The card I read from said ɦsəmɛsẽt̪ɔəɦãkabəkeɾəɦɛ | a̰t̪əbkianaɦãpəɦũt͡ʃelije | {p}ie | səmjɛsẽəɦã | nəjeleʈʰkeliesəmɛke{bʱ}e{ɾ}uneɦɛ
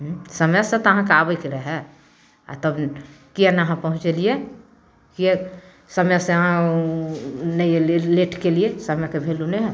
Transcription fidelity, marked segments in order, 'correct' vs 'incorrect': incorrect: k, correct, incorrect: l

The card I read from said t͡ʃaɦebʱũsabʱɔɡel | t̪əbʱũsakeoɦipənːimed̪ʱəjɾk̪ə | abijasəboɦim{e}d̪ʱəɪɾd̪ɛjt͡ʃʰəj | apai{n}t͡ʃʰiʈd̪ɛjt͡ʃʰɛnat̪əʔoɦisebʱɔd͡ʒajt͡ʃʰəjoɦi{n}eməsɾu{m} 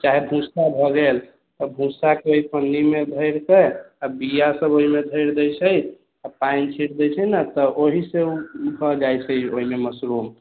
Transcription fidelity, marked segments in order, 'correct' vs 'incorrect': correct, correct, incorrect: m, correct

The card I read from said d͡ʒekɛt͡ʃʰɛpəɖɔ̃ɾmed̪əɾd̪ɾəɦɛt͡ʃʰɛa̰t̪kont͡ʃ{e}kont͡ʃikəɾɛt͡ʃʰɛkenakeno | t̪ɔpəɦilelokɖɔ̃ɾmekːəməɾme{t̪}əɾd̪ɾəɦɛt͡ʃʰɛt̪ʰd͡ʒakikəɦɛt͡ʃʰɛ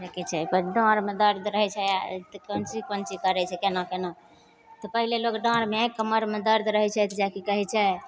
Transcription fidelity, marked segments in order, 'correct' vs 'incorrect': incorrect: i, incorrect: d̪

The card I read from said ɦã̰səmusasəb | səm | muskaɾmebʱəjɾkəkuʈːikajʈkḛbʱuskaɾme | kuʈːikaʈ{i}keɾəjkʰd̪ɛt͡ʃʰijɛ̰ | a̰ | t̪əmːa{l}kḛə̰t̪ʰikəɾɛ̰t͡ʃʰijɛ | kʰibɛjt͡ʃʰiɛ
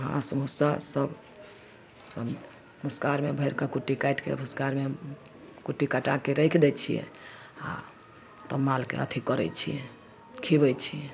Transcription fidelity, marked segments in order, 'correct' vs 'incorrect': incorrect: a, correct

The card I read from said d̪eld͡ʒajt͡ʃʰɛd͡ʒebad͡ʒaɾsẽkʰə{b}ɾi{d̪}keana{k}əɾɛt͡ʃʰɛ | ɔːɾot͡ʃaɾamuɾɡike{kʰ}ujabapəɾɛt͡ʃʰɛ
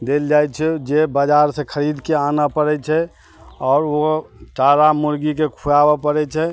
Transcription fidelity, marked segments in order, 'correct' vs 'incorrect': incorrect: none, correct, incorrect: p, correct

